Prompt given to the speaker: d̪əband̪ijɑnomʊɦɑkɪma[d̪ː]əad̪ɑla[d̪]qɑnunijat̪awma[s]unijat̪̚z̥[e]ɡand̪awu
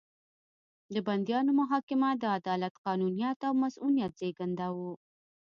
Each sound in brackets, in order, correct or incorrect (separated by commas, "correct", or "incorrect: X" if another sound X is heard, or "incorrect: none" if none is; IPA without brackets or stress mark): incorrect: d̪, incorrect: t̪, correct, correct